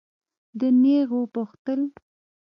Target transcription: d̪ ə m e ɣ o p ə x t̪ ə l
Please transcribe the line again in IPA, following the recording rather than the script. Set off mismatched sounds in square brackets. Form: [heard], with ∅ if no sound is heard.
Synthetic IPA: d̪ ə [n] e ɣ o p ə x t̪ ə l